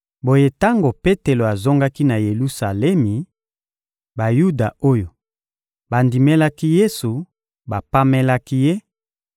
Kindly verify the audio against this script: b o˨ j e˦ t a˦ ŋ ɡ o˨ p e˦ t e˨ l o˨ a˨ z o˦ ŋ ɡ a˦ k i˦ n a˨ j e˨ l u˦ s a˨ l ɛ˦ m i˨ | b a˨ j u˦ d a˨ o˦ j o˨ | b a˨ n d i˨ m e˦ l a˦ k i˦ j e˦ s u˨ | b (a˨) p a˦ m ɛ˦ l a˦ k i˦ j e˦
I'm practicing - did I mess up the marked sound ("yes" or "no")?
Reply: no